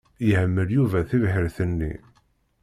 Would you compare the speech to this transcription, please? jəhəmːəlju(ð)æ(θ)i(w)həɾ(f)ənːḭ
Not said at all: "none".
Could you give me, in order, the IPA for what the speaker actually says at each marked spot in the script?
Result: v, θ, v, θ

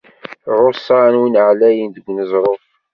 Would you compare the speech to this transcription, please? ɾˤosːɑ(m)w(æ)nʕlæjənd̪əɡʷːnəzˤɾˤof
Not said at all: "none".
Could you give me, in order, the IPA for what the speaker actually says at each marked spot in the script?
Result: n, i

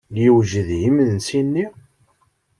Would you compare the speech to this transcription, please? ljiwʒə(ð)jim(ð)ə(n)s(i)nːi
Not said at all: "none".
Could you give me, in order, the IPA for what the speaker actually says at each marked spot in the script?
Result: ð, ð, n, i

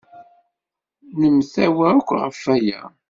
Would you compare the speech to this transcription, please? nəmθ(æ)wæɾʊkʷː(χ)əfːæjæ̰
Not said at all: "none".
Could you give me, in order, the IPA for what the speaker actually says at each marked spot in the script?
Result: æ, ʁ

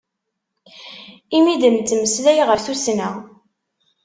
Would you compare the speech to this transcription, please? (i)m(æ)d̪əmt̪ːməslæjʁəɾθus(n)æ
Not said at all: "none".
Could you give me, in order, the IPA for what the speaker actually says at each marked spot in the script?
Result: i, i, n

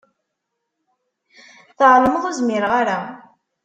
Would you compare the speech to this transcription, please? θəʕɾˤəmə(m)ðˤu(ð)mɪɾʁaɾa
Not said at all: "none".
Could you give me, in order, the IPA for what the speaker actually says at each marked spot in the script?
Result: none, z

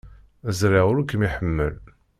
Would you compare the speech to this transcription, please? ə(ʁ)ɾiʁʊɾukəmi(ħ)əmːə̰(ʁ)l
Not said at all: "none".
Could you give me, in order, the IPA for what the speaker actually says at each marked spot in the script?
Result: z, ħ, none

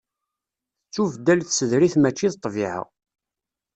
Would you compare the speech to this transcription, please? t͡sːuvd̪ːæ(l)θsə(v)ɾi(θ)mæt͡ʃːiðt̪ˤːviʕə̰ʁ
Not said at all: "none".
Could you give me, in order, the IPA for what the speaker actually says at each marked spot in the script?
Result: l, ð, θ

